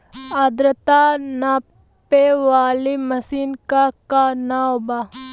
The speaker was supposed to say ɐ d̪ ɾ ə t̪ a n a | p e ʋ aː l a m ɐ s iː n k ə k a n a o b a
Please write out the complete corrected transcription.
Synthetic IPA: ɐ d̪ ɾ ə t̪ a n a | p e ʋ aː l i m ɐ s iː n k a k a n a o b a